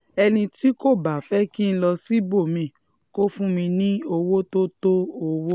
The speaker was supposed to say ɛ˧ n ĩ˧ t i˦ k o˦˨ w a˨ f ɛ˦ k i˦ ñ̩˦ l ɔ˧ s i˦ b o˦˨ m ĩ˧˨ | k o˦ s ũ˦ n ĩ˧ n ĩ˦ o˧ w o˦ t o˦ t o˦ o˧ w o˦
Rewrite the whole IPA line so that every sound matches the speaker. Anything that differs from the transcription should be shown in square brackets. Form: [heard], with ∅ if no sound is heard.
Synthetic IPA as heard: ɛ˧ n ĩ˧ t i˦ k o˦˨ [b] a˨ f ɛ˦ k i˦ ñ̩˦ l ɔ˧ s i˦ b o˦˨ m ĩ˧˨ | k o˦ [f] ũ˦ [m] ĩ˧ n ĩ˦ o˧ w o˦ t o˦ t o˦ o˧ w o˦